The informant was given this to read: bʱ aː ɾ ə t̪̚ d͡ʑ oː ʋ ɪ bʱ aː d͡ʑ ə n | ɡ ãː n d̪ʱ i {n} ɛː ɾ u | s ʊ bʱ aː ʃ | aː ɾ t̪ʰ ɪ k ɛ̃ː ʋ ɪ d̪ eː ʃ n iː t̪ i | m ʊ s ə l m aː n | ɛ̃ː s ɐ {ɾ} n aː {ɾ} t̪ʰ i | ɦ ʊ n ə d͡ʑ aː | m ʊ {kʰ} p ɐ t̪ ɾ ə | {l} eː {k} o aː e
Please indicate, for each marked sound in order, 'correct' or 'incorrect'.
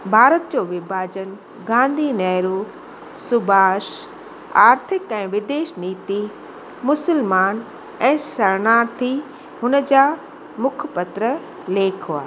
correct, correct, correct, correct, correct, incorrect: kʰ

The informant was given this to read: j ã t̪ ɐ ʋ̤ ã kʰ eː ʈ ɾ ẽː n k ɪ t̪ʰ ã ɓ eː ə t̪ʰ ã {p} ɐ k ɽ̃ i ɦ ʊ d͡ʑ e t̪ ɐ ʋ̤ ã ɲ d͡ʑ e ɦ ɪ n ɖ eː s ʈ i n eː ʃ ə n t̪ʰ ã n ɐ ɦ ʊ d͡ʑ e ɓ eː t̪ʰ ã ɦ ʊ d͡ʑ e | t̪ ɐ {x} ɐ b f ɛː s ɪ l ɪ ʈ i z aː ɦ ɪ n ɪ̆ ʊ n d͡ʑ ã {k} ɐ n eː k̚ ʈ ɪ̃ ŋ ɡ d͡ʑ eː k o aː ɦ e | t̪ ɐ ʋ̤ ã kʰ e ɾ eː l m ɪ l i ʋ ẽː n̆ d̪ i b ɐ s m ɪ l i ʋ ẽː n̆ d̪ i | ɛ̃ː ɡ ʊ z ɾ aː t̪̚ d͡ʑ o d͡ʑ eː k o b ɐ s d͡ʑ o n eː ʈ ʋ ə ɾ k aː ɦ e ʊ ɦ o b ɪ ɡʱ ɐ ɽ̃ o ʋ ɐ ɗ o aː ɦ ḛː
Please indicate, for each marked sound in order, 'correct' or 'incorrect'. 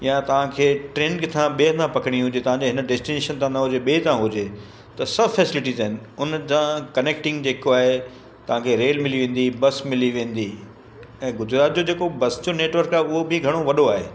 correct, incorrect: s, correct

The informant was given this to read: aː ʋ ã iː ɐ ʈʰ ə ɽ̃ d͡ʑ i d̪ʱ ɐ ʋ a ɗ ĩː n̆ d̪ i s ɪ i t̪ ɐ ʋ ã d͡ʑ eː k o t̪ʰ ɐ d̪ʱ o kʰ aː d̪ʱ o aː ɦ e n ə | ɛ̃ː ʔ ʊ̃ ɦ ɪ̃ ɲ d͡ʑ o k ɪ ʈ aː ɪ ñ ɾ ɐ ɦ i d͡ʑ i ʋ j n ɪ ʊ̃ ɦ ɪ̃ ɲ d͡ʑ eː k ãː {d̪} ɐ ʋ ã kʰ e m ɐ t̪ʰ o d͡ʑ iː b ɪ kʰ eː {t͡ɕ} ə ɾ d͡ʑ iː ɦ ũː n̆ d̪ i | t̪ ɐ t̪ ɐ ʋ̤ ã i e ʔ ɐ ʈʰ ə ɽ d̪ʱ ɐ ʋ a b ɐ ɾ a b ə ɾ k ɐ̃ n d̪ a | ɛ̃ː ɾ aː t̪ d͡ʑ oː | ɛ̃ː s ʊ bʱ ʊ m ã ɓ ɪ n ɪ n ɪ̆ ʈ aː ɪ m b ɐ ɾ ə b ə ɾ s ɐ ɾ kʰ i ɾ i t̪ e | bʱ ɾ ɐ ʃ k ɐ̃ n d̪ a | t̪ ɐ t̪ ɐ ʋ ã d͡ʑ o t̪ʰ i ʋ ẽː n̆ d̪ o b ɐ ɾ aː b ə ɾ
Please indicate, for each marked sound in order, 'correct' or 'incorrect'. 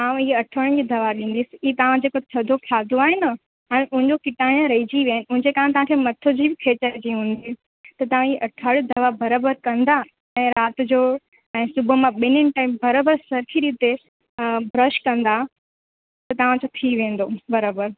incorrect: t̪, correct

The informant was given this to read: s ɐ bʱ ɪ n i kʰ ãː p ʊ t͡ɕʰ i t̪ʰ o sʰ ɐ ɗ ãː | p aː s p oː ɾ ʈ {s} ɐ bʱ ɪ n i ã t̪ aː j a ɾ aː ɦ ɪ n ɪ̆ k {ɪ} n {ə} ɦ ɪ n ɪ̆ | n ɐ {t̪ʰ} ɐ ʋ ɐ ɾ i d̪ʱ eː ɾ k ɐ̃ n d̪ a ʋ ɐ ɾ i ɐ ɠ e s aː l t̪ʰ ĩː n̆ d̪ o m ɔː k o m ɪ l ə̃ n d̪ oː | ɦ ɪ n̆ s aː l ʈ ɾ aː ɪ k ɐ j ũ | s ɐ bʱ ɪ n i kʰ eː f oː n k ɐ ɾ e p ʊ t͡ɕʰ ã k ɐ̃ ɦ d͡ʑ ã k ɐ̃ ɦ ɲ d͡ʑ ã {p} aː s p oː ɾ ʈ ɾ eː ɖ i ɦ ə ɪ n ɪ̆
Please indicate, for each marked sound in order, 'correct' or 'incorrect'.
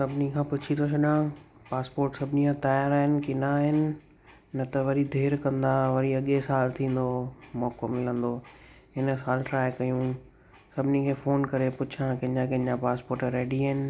correct, correct, incorrect: a, incorrect: t̪, correct

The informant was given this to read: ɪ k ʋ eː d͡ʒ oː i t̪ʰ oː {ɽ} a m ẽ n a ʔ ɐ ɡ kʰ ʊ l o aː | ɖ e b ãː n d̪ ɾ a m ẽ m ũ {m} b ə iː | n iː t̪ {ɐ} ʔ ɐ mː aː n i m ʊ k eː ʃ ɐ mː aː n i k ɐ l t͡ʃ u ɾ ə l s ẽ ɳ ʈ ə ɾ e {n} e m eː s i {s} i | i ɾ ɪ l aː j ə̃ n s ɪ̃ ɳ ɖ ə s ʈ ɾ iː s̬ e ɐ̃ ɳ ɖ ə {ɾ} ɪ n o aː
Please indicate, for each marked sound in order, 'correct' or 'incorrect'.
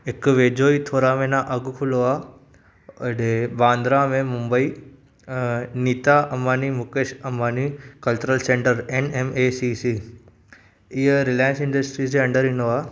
incorrect: ɾ, correct, incorrect: a, correct, correct, correct

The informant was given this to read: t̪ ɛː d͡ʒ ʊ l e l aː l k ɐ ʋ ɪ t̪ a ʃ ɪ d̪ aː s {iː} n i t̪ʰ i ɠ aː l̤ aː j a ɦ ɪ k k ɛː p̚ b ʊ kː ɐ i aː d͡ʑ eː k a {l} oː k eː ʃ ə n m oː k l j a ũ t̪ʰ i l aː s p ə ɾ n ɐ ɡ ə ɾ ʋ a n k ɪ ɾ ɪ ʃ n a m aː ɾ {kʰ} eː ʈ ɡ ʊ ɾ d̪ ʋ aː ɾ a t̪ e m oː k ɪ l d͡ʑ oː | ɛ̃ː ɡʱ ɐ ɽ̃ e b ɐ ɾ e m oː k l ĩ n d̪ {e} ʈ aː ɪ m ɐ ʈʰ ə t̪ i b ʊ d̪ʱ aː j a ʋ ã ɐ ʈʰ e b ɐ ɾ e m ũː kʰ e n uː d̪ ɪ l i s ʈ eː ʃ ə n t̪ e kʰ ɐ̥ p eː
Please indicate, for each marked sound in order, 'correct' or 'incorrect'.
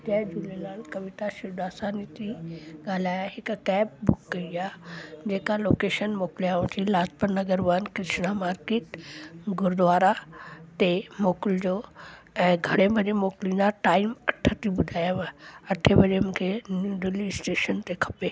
incorrect: aː, correct, incorrect: k, incorrect: a

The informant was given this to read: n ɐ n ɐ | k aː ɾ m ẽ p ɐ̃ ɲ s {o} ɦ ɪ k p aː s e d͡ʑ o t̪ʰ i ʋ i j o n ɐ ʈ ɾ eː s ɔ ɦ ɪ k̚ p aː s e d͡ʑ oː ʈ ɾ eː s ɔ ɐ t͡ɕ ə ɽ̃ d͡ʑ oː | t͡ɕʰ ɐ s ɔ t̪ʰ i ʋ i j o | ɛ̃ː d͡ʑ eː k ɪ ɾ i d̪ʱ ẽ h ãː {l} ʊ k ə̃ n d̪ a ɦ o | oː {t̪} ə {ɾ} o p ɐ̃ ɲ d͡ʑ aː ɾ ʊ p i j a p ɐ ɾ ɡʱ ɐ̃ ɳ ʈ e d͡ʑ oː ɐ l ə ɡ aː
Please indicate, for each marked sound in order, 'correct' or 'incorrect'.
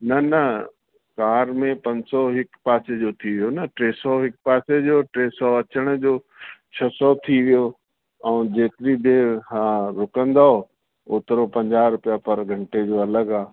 incorrect: ɔ, incorrect: ɾ, correct, correct

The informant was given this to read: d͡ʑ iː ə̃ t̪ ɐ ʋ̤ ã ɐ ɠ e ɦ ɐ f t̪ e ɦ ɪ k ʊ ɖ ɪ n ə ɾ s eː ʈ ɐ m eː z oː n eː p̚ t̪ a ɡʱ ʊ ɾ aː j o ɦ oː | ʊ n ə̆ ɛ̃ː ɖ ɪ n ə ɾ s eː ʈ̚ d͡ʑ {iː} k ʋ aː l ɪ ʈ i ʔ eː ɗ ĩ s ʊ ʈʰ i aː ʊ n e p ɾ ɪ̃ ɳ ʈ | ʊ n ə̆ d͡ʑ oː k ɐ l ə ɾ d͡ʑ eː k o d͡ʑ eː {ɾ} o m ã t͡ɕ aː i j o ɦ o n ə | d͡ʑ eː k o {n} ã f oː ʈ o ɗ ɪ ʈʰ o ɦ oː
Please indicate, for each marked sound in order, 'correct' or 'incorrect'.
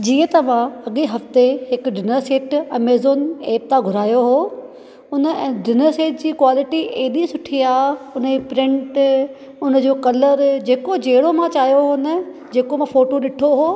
correct, incorrect: ɽ, incorrect: m

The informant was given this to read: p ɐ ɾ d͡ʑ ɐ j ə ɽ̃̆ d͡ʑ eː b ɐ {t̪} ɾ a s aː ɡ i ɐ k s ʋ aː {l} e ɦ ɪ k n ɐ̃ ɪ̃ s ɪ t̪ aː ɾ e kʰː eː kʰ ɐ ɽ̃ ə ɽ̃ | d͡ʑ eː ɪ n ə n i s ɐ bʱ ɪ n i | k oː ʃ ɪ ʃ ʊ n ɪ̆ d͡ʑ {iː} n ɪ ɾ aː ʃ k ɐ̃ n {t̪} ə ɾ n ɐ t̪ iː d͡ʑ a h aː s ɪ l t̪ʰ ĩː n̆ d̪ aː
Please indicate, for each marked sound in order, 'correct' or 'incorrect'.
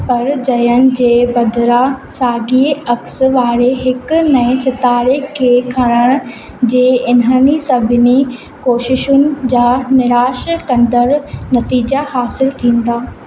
incorrect: d̪, incorrect: ɾ, incorrect: aː, incorrect: d̪

